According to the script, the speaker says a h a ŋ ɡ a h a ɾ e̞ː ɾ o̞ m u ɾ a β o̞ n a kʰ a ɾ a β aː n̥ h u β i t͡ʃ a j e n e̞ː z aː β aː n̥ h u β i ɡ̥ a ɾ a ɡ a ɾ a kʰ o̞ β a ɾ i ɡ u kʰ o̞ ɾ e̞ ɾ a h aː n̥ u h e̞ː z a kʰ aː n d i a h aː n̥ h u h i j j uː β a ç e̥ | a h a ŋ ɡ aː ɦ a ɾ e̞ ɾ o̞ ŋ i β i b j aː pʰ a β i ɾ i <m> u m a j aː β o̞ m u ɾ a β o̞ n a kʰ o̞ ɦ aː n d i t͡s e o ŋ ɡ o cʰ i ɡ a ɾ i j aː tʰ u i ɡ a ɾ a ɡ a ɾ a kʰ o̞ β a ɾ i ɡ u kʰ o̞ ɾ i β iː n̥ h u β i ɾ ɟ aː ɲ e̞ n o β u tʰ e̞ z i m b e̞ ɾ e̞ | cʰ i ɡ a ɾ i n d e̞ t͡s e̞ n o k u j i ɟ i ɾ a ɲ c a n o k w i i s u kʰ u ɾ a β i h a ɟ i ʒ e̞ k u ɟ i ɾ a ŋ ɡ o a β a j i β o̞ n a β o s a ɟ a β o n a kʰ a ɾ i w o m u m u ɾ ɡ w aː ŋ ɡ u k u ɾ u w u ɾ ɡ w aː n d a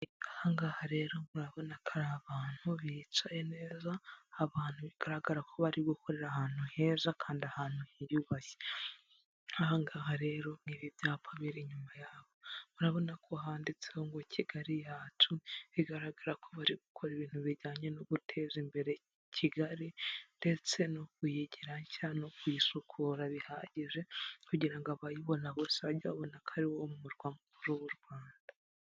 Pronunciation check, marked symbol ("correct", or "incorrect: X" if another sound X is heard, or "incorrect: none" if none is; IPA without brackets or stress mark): incorrect: ɲ